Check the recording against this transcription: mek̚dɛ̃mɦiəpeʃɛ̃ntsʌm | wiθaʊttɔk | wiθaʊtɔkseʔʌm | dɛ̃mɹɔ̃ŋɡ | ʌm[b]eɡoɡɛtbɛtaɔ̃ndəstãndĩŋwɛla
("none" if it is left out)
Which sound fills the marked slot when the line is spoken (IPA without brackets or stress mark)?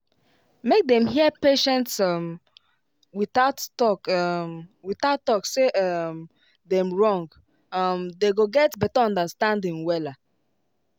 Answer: d